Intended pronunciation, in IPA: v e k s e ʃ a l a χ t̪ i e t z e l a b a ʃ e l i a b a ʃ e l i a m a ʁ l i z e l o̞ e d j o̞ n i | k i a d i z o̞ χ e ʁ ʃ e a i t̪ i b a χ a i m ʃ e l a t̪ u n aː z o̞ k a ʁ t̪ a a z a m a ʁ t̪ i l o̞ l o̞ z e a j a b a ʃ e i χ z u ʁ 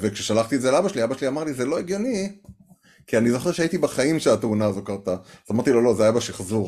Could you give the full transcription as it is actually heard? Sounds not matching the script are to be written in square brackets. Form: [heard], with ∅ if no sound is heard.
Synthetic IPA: v e k [ʃ] e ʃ a l a χ t̪ i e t z e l a b a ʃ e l i a b a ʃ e l i a m a ʁ l i z e l o̞ e [ɡ] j o̞ n i | k i a [n] i z o̞ χ e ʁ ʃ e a i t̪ i b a χ a i m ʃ e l a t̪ u n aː z o̞ k a ʁ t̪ a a z a m a ʁ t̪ i l o̞ l o̞ z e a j a b a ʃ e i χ z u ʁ